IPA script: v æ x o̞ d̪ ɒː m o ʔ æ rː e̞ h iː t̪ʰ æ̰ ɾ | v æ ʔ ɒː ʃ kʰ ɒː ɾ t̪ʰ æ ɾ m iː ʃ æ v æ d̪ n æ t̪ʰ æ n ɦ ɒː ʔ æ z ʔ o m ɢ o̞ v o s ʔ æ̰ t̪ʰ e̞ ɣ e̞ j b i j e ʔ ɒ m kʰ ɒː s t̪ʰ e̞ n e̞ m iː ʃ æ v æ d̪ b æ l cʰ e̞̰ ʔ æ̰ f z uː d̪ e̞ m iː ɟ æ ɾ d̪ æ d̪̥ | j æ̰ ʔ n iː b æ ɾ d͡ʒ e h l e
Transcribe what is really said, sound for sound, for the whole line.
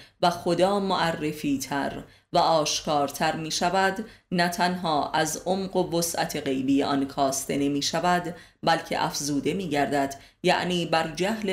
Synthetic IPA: v æ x o̞ d̪ ɒː m o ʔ æ rː e̞ f iː t̪ʰ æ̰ ɾ | v æ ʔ ɒː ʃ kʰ ɒː ɾ t̪ʰ æ ɾ m iː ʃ æ v æ d̪ n æ t̪ʰ æ n ɦ ɒː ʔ æ z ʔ o m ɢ o̞ v o s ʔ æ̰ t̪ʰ e̞ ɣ e̞ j b i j e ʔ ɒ n kʰ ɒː s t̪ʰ e̞ n e̞ m iː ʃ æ v æ d̪ b æ l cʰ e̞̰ ʔ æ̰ f z uː d̪ e̞ m iː ɟ æ ɾ d̪ æ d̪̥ | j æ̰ ʔ n iː b æ ɾ d͡ʒ æ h l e